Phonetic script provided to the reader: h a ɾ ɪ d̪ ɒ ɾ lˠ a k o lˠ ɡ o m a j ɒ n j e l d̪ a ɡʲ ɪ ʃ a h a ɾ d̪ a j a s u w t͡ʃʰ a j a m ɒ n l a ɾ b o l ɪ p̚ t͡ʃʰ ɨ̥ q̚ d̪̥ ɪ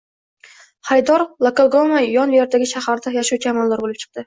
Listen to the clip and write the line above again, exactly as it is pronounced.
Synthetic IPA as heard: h a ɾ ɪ d̪ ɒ ɾ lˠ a k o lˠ ɡ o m a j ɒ n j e ɾ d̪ a ɡʲ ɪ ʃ a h a ɾ d̪ a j a ʃ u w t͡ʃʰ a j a m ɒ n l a ɾ b o l ɪ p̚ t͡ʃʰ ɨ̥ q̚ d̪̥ ɪ